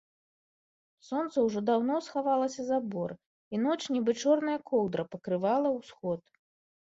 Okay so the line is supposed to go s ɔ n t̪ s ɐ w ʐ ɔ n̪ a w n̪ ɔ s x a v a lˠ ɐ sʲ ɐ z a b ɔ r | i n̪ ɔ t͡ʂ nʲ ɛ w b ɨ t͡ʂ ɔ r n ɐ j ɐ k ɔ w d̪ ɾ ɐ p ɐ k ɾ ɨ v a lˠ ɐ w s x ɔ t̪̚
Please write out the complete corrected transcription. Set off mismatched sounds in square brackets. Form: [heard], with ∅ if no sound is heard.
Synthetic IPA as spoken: s ɔ n t̪ s ɐ w ʐ ɔ [d̪] a w n̪ ɔ s x a v a lˠ ɐ sʲ ɐ z a b ɔ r | i n̪ ɔ t͡ʂ nʲ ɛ [∅] b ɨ t͡ʂ ɔ r n ɐ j ɐ k ɔ w d̪ ɾ ɐ p ɐ k ɾ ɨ v a lˠ ɐ w s x ɔ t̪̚